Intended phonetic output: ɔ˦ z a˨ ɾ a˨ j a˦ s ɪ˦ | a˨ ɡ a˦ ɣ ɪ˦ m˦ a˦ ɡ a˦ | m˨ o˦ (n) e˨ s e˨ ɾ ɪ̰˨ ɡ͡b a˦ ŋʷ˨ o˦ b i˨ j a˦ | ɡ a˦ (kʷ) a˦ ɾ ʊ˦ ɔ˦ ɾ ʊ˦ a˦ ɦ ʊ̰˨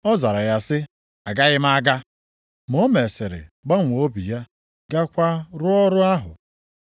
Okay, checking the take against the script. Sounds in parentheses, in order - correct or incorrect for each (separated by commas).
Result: incorrect, correct